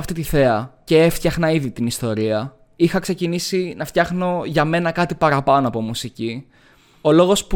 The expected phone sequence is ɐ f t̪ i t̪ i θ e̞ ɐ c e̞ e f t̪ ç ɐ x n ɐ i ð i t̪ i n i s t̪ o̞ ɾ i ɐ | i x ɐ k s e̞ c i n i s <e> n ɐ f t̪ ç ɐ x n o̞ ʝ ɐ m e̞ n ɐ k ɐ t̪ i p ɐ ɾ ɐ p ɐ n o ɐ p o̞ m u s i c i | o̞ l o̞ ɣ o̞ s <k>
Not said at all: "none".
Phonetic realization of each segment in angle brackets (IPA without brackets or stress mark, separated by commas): i, p